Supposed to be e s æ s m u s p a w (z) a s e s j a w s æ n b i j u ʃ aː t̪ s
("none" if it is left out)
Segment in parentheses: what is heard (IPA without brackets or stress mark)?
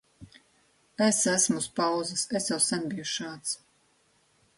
z